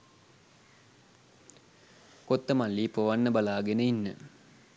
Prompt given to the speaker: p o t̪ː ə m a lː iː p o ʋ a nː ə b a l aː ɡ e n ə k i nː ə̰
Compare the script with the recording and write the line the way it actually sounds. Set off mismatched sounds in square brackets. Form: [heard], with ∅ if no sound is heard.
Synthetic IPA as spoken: [k] o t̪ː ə m a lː iː p o ʋ a nː ə b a l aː ɡ e n ə [∅] i nː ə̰